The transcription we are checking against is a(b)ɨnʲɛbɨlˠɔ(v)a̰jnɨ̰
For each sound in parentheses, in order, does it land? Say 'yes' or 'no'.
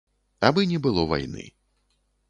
yes, yes

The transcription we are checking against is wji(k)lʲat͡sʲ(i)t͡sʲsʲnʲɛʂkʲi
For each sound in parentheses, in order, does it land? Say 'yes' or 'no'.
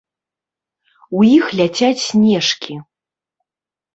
no, no

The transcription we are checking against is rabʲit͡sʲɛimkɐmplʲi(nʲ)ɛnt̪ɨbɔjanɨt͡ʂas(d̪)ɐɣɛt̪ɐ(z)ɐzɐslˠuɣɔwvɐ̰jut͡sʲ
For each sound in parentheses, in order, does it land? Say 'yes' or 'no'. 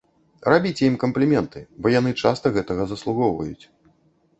no, no, no

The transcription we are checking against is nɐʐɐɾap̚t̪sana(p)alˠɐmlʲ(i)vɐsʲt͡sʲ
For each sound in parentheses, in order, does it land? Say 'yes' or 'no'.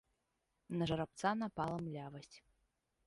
yes, no

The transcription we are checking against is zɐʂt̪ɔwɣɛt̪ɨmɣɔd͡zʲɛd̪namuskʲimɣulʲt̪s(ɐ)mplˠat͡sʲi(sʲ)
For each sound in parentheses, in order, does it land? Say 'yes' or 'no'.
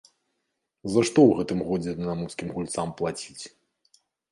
no, no

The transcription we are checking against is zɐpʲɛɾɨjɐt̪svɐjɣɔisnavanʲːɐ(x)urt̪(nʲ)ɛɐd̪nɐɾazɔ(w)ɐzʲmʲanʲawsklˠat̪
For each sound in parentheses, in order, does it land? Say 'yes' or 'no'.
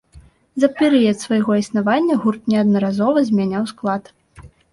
no, yes, no

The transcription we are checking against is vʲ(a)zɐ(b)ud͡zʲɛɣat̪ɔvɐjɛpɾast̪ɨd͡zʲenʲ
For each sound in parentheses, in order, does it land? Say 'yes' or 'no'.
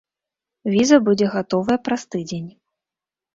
no, yes

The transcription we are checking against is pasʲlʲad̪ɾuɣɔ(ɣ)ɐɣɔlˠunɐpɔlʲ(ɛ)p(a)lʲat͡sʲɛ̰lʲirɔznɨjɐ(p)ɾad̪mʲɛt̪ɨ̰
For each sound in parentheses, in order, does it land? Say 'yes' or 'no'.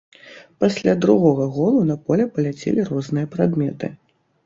yes, yes, no, yes

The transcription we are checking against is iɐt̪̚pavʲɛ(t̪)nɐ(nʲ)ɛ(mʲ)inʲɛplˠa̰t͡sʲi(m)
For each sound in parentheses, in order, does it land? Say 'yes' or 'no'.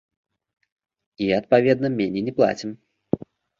no, no, no, yes

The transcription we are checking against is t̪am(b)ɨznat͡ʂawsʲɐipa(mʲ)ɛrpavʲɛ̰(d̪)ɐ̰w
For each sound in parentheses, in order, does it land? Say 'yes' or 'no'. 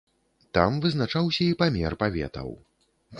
no, yes, no

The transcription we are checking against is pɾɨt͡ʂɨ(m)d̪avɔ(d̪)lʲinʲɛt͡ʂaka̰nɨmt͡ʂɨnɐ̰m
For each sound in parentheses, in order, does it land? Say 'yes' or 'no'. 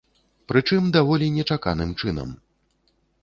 yes, no

